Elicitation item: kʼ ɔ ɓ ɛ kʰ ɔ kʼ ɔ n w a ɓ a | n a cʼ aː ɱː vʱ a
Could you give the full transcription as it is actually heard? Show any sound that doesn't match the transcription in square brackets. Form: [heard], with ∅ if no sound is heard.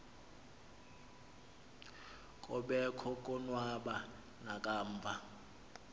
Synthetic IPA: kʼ ɔ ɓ ɛ kʰ ɔ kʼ ɔ n w a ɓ a | n a [kʼ] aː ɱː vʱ a